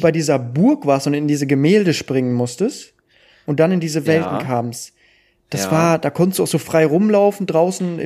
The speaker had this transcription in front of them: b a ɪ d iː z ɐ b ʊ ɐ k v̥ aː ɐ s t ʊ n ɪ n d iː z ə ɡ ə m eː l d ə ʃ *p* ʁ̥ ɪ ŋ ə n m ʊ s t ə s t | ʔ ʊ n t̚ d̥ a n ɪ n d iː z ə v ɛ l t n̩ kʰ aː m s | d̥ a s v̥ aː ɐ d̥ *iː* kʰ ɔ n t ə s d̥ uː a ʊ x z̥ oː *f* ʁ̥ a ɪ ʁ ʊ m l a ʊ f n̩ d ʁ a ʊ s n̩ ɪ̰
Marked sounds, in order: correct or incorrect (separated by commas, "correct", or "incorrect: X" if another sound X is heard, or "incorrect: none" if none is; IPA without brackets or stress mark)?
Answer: correct, incorrect: aː, correct